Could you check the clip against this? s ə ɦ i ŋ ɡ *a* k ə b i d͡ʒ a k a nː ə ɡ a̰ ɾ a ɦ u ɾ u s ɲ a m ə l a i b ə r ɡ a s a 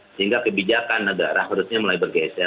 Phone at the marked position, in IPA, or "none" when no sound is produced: a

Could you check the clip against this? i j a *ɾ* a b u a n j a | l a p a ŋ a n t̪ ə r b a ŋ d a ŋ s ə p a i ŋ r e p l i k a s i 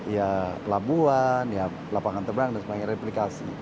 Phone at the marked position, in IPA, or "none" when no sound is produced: l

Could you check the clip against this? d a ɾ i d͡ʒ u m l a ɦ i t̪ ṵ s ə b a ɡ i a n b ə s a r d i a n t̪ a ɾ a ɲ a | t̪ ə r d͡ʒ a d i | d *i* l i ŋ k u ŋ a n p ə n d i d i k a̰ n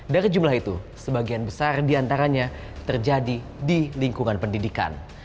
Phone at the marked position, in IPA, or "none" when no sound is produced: i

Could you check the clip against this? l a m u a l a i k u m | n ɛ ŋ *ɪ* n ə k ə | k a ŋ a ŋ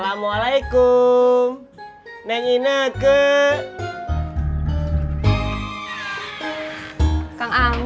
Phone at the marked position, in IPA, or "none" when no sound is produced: i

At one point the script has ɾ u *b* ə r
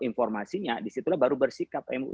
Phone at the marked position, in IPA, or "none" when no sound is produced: b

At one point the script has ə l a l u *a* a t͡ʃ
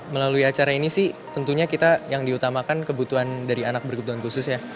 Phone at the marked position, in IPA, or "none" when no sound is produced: i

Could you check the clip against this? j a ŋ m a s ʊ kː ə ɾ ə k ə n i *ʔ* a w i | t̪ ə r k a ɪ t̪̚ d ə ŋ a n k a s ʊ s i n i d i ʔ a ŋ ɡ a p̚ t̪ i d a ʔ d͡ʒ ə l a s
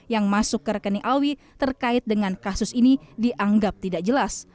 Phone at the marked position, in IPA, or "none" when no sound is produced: ʔ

